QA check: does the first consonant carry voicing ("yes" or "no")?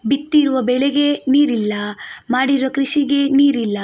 yes